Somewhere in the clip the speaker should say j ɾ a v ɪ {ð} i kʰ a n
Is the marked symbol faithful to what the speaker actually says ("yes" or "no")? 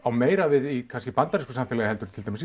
yes